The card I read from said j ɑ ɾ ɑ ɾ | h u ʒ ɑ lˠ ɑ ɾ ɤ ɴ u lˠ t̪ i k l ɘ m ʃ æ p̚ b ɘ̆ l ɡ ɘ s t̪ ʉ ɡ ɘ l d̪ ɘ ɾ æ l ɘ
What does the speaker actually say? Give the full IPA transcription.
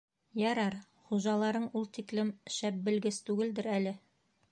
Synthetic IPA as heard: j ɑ ɾ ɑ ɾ | χ u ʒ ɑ lˠ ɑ ɾ ɤ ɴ u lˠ t̪ i k l ɘ m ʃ æ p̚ b ɘ̆ l ɡ ɘ s t̪ ʉ ɡ ɘ l d̪ ɘ ɾ æ l ɘ